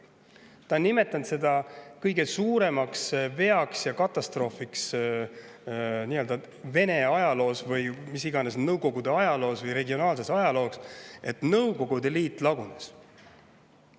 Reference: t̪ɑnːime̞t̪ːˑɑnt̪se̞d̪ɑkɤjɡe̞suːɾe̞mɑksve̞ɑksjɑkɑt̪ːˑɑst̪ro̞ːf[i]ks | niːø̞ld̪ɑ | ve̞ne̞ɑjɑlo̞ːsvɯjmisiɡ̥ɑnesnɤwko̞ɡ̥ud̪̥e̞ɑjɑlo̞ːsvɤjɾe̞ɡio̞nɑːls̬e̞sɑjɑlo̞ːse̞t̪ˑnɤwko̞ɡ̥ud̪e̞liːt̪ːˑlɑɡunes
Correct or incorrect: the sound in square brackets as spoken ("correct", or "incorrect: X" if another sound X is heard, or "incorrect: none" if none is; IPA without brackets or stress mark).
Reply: correct